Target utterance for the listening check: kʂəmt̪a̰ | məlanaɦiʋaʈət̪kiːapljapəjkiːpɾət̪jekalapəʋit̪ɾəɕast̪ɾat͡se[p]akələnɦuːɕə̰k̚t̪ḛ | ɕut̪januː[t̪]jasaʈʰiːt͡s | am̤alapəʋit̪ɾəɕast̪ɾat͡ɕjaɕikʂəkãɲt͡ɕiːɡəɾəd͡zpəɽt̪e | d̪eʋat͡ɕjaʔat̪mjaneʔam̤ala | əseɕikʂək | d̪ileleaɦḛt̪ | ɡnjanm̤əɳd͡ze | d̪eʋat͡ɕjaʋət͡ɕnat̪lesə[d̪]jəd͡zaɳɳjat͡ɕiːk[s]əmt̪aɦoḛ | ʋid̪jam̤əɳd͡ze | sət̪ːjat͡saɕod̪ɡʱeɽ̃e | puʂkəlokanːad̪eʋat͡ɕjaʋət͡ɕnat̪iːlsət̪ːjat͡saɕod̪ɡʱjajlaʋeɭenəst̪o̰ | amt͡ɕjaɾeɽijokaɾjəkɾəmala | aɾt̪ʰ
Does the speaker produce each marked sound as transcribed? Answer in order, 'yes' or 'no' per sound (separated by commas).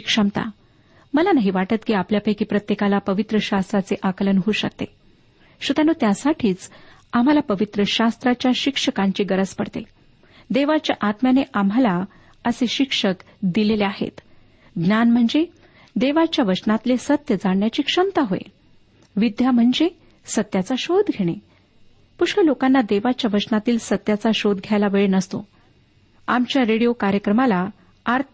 no, yes, no, no